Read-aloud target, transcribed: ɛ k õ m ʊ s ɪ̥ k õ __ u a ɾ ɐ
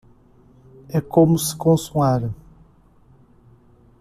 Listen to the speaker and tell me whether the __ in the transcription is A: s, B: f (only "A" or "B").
A